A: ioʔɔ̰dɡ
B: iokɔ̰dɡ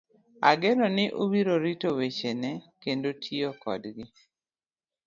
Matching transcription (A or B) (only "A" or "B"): B